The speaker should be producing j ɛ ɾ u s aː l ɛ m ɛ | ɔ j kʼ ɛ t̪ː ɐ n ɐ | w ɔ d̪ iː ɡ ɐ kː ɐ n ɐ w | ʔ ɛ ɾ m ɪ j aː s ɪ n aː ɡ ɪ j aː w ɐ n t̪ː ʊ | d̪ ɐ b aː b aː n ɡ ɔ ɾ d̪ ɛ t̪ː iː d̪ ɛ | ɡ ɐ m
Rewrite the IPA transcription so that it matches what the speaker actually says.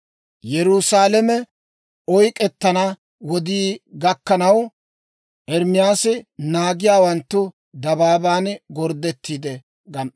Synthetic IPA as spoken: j ɛ ɾ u s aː l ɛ m ɛ | ɔ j kʼ ɛ t̪ː ɐ n ɐ | w ɔ d̪ iː ɡ ɐ kː ɐ n ɐ w | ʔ ɛ ɾ m ɪ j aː s ɪ n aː ɡ ɪ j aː w ɐ n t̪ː ʊ | d̪ ɐ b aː b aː n ɡ ɔ ɾ d̪ ɛ t̪ː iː d̪ ɛ | ɡ ɐ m

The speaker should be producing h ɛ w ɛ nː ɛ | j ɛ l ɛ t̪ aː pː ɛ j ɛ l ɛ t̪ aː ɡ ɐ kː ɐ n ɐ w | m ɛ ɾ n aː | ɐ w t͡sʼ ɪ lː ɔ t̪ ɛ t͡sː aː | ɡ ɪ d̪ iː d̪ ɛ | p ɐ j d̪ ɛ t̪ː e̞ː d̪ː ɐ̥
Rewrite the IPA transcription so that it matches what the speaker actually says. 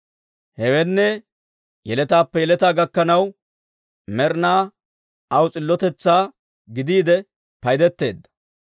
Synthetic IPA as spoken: h ɛ w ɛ nː ɛ | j ɛ l ɛ t̪ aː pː ɛ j ɛ l ɛ t̪ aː ɡ ɐ kː ɐ n ɐ w | m ɛ ɾ n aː | ɐ w t͡sʼ ɪ lː ɔ t̪ ɛ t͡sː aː | ɡ ɪ d̪ iː d̪ ɛ | p ɐ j d̪ ɛ t̪ː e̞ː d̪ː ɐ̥

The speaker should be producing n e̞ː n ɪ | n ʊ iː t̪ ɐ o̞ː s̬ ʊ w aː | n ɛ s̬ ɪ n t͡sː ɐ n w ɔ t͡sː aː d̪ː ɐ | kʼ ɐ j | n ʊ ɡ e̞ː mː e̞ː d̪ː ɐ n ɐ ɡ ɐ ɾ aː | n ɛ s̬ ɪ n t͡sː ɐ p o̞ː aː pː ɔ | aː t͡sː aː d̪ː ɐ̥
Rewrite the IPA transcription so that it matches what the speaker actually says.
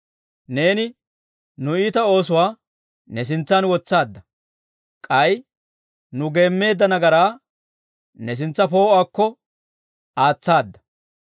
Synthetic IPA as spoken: n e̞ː n ɪ | n ʊ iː t̪ ɐ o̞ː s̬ ʊ w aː | n ɛ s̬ ɪ n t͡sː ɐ n w ɔ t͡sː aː d̪ː ɐ | kʼ ɐ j | n ʊ ɡ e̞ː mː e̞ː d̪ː ɐ n ɐ ɡ ɐ ɾ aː | n ɛ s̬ ɪ n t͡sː ɐ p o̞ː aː kː ɔ | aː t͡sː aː d̪ː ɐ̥

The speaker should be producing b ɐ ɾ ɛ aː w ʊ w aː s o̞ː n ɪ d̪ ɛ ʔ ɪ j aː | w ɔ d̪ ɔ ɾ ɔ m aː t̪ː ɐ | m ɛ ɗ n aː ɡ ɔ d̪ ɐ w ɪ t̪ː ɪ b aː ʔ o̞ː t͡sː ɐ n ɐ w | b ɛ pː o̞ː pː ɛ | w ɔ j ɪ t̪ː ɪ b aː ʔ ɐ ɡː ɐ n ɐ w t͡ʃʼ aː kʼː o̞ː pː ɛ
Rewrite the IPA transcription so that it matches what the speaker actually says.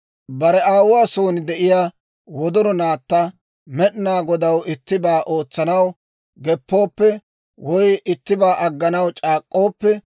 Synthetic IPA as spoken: b ɐ ɾ ɛ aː w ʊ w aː s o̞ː n ɪ d̪ ɛ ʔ ɪ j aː | w ɔ d̪ ɔ ɾ ɔ n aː t̪ː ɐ | m ɛ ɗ n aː ɡ ɔ d̪ ɐ w ɪ t̪ː ɪ b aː ʔ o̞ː t͡sː ɐ n ɐ w | ɡ ɛ pː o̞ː pː ɛ | w ɔ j ɪ t̪ː ɪ b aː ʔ ɐ ɡː ɐ n ɐ w t͡ʃʼ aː kʼː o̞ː pː ɛ

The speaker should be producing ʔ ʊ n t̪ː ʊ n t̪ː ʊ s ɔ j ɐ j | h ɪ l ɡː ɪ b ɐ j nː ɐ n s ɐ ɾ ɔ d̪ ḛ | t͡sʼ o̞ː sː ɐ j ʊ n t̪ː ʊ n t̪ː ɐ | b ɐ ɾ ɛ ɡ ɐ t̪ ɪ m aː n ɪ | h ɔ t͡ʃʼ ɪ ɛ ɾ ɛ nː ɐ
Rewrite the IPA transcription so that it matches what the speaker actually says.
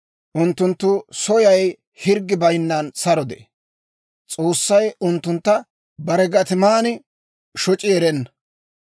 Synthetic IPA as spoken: ʔ ʊ n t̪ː ʊ n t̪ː ʊ s ɔ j ɐ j | h ɪ ɾ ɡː ɪ b ɐ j nː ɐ n s ɐ ɾ ɔ d̪ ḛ | t͡sʼ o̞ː sː ɐ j ʊ n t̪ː ʊ n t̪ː ɐ | b ɐ ɾ ɛ ɡ ɐ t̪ ɪ m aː n ɪ | ʃ ɔ t͡ʃʼ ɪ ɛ ɾ ɛ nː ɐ

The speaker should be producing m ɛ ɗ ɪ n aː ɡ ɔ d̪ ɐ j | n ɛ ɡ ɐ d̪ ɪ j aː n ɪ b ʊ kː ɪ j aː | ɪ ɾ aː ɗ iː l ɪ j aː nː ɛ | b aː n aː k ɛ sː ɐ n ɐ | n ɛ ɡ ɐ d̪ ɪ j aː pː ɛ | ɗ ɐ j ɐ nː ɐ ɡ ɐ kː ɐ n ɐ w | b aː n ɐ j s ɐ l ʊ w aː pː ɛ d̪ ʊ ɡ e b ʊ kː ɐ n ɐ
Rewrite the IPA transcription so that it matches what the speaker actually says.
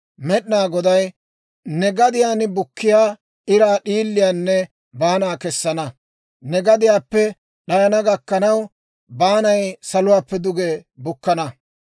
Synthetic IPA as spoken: m ɛ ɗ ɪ n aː ɡ ɔ d̪ ɐ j | n ɛ ɡ ɐ d̪ ɪ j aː n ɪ b ʊ kː ɪ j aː | ɪ ɾ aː ɗ iː lː ɪ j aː nː ɛ | b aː n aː k ɛ sː ɐ n ɐ | n ɛ ɡ ɐ d̪ ɪ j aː pː ɛ | ɗ ɐ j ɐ n ɐ ɡ ɐ kː ɐ n ɐ w | b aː n ɐ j s ɐ l ʊ w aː pː ɛ d̪ ʊ ɡ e b ʊ kː ɐ n ɐ

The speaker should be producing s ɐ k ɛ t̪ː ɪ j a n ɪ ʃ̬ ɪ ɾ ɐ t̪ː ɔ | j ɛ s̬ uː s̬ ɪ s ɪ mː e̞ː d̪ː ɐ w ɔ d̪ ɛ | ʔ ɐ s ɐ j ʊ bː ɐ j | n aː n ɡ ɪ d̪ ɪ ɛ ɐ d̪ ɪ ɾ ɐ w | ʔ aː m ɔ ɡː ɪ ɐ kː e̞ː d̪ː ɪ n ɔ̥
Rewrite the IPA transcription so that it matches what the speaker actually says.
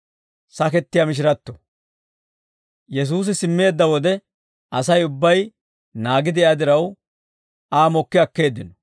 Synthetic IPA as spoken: s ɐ k ɛ t̪ː ɪ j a m ɪ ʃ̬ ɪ ɾ ɐ t̪ː ɔ | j ɛ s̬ uː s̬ ɪ s ɪ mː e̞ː d̪ː ɐ w ɔ d̪ ɛ | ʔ ɐ s ɐ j ʊ bː ɐ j | n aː ɡ ɪ d̪ ɪ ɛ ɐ d̪ ɪ ɾ ɐ w | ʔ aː m ɔ kː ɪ ɐ kː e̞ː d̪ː ɪ n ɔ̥

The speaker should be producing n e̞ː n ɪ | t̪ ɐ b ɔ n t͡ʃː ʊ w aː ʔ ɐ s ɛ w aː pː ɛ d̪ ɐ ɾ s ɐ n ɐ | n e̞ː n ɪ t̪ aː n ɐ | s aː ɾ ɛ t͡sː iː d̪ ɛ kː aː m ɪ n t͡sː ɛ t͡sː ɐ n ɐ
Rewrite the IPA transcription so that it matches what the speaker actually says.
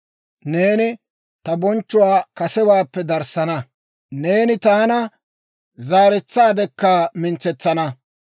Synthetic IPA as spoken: n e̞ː n ɪ | t̪ ɐ b ɔ n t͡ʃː ʊ w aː k ɐ s ɛ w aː pː ɛ d̪ ɐ ɾ s ɐ n ɐ | n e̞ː n ɪ t̪ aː n ɐ | z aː ɾ ɛ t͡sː aː d̪ ɛ kː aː m ɪ n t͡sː ɛ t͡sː ɐ n ɐ

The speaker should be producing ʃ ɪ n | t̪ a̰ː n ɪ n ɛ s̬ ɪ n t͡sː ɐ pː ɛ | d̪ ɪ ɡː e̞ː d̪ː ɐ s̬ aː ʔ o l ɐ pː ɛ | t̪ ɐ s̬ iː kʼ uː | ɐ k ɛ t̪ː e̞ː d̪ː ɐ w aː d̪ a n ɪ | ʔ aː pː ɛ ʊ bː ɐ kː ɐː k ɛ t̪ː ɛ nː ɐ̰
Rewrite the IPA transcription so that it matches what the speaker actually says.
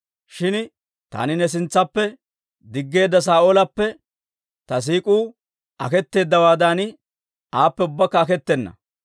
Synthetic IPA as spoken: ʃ ɪ n | t̪ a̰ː n ɪ n ɛ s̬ ɪ n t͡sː ɐ pː ɛ | d̪ ɪ ɡː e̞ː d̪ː ɐ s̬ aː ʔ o l ɐ pː ɛ | t̪ ɐ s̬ iː kʼ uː | ɐ k ɛ t̪ː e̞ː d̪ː ɐ w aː d̪ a n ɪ | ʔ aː pː ɛ ʊ bː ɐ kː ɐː k ɛ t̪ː ɛ nː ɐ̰

